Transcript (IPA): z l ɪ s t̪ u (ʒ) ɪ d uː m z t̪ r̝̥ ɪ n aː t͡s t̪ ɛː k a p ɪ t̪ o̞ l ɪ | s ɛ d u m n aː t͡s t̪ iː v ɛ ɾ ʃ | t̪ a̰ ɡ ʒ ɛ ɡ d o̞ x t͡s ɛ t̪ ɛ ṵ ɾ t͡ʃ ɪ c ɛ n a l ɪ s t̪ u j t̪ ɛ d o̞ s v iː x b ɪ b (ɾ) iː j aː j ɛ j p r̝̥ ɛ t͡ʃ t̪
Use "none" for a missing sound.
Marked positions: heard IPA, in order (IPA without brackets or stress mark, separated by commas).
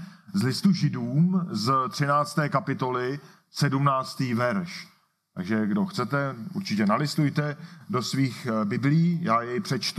ʒ, l